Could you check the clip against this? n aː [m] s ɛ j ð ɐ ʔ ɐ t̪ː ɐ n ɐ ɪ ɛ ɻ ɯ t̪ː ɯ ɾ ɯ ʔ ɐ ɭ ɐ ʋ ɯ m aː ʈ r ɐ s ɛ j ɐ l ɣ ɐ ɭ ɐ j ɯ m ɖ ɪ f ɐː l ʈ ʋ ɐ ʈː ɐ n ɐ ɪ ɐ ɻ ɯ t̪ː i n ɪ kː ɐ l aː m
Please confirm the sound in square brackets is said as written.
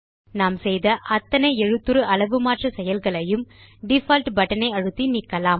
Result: yes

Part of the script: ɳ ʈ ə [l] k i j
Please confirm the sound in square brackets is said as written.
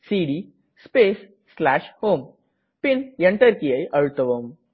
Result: no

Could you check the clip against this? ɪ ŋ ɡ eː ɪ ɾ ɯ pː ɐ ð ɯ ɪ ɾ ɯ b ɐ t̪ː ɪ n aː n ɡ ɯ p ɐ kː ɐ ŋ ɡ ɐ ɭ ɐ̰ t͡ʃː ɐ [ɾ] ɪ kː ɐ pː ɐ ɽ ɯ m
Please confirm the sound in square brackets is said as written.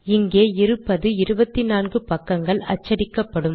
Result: no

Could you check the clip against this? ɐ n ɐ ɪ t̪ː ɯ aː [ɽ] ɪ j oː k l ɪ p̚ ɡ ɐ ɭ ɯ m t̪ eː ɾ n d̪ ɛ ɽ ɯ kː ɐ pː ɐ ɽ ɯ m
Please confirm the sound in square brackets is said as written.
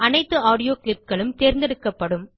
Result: yes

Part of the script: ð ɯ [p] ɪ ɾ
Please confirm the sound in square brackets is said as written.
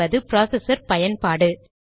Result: yes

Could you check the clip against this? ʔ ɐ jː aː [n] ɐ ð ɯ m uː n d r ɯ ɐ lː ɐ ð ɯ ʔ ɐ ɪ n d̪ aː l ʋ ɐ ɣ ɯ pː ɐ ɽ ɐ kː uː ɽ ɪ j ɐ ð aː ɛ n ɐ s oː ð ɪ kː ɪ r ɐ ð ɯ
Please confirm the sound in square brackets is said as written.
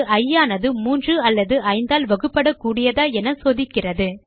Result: yes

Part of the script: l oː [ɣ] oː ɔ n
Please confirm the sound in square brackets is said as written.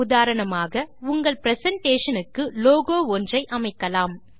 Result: yes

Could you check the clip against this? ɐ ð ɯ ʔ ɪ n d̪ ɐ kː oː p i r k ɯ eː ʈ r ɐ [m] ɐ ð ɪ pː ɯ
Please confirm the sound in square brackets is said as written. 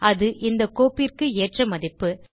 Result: yes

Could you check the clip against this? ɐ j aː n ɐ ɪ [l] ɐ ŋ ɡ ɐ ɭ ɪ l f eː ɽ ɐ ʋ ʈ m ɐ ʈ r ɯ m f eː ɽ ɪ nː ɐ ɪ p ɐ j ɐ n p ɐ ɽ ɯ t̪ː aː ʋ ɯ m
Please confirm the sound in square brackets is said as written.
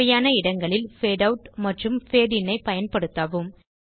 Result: no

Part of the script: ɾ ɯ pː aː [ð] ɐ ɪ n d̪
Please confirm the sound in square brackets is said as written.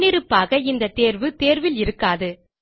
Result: no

